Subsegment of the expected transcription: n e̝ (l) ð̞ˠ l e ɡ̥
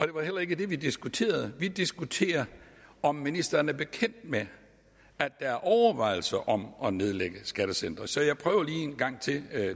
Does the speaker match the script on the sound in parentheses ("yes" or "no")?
no